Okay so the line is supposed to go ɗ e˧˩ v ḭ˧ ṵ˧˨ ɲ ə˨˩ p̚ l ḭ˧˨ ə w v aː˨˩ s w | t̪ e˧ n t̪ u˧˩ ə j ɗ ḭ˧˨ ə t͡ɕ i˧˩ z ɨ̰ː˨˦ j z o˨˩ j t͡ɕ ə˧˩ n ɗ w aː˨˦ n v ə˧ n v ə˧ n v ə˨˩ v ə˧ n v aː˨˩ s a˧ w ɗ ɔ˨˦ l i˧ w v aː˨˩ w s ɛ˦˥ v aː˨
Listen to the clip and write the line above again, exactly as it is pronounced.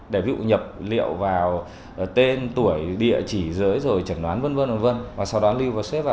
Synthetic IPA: ɗ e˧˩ v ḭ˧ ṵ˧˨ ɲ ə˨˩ p̚ l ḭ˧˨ ə w v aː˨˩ w | t̪ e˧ n t̪ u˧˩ ə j ɗ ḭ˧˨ ə t͡ɕ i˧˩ z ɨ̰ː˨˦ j z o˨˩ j t͡ɕ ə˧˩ n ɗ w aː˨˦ n v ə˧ n v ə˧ n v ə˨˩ v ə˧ n v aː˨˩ s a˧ w ɗ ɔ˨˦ l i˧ w v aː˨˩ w s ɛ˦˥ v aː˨